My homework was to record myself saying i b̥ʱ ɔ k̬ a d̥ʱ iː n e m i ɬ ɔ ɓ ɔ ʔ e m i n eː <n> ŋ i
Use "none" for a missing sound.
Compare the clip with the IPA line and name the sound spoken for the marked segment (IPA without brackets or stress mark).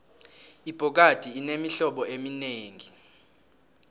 none